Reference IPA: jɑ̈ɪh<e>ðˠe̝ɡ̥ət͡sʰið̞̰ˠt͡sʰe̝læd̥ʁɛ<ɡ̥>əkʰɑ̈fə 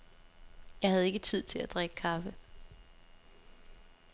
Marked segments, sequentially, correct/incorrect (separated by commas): incorrect, correct